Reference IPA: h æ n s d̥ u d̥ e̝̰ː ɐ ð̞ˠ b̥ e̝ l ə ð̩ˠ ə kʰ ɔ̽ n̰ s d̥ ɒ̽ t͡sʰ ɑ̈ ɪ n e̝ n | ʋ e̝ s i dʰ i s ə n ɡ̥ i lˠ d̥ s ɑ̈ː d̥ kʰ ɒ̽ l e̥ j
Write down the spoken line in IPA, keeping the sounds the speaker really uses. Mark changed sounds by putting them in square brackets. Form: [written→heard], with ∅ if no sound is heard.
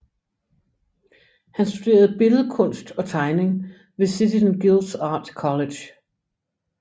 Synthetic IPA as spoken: h æ n s d̥ u d̥ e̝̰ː ɐ ð̞ˠ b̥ e̝ l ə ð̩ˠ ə kʰ ɔ̽ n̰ s d̥ ɒ̽ t͡sʰ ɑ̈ ɪ n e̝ [n→ŋ] | ʋ e̝ s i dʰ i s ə n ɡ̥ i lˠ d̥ s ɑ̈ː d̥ kʰ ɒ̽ l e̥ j